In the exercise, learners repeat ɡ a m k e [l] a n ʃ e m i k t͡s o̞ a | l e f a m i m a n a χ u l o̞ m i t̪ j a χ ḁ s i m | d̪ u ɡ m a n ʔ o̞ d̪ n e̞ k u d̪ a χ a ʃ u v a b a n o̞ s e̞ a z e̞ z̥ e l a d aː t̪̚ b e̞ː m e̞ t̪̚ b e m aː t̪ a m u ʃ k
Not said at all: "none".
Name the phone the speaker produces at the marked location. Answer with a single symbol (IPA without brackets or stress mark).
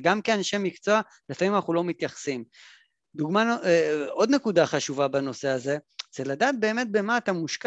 none